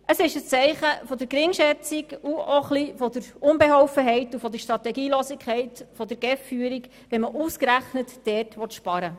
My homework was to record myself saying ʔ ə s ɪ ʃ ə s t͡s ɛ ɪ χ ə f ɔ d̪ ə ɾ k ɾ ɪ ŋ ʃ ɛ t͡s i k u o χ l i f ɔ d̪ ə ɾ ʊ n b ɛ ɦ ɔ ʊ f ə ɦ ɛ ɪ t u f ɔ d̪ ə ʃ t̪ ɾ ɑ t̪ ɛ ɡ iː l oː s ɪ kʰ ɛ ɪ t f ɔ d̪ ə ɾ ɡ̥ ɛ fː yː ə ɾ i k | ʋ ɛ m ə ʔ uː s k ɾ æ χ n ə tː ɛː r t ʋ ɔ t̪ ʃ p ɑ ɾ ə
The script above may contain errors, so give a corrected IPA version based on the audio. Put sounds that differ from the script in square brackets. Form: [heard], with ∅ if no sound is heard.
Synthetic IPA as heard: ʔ ə s ɪ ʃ ə s t͡s ɛ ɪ χ ə f ɔ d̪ ə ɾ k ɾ ɪ ŋ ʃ ɛ t͡s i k u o χ l i f ɔ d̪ ə ɾ ʊ n b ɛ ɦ ɔ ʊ f ə ɦ ɛ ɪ t u f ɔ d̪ ə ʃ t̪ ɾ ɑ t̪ ɛ ɡ iː l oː s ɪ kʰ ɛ ɪ t f ɔ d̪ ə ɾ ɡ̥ ɛ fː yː ə ɾ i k | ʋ ɛ m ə ʔ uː s k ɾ æ χ n ə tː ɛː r t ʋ ɔ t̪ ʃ p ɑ ɾ ə